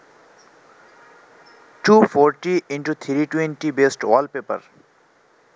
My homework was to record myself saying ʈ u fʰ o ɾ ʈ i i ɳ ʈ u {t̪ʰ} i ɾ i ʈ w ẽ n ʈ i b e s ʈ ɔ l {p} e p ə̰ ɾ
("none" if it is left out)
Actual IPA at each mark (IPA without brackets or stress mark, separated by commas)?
t̪ʰ, p